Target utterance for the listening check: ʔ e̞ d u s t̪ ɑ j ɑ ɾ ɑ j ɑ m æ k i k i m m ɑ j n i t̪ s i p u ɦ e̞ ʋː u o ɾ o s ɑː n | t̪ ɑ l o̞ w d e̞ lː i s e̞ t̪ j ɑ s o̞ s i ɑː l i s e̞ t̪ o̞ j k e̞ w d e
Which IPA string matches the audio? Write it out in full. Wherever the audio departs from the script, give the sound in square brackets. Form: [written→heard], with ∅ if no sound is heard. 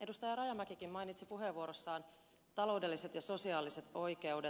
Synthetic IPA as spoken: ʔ e̞ d u s t̪ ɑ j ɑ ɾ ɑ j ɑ m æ k i k i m m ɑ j n i t̪ s i p u ɦ e̞ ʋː u o ɾ o [s→sː] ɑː n | t̪ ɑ l o̞ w d e̞ lː i s e̞ t̪ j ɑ s o̞ s i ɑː l i s e̞ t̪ o̞ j k e̞ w d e